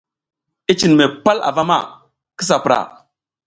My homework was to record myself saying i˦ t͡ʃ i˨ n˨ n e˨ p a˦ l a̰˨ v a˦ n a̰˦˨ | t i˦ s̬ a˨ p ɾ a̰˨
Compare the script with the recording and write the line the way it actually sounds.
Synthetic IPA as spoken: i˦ t͡ʃ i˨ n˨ m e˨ p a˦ l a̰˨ v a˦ m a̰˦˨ | k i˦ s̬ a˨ p ɾ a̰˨